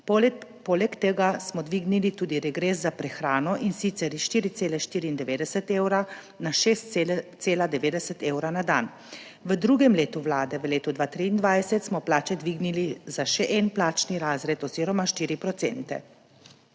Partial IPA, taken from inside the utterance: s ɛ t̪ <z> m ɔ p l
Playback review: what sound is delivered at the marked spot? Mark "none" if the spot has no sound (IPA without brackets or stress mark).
s